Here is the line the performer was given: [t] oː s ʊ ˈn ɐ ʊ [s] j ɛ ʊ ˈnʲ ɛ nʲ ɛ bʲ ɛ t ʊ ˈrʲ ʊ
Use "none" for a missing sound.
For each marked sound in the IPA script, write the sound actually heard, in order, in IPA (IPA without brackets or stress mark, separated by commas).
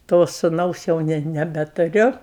t, s